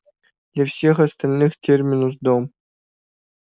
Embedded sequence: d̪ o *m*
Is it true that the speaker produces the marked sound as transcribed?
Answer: yes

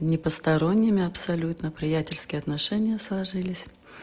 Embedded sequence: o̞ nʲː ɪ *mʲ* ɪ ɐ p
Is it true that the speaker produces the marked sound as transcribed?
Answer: yes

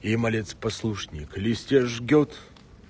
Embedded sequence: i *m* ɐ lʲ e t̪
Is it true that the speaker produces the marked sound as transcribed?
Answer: yes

